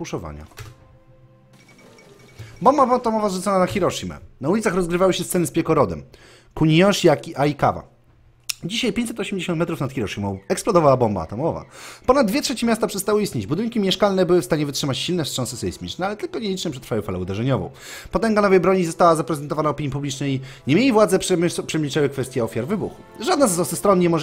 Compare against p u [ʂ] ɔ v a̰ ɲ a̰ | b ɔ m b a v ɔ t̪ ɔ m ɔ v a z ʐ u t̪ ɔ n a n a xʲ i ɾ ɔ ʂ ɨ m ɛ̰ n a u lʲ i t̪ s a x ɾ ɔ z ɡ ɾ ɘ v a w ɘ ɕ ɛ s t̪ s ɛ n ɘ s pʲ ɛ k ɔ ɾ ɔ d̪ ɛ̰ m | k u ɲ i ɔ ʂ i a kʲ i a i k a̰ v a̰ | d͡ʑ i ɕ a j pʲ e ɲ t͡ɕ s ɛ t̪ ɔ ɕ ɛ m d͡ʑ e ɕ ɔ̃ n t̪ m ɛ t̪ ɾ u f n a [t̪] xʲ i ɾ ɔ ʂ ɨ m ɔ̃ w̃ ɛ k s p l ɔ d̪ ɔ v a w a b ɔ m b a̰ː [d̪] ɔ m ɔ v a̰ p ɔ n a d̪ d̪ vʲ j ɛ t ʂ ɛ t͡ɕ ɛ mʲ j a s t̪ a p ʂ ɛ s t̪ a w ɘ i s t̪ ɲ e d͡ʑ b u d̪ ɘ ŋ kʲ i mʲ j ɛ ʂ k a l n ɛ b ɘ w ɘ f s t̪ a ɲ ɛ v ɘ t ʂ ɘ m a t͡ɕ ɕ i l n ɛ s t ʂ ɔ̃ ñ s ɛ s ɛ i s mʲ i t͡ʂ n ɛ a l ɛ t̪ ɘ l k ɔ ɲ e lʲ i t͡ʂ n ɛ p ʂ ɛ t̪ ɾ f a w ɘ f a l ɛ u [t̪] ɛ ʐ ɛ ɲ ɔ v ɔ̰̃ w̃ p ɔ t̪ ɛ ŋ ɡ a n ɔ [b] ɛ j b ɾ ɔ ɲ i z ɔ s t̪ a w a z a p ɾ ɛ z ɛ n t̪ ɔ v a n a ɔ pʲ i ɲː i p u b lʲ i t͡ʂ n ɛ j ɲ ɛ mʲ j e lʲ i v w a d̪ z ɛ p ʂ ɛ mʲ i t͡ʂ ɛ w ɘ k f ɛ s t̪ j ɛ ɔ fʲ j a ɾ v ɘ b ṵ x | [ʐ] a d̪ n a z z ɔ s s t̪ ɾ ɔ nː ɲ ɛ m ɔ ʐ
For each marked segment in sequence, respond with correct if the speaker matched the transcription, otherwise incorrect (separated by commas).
correct, correct, incorrect, incorrect, incorrect, correct